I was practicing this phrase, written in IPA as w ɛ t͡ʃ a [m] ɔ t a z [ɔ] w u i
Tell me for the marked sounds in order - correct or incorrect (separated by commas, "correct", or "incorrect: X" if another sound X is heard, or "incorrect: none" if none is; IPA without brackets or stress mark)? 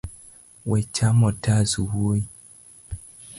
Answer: correct, incorrect: u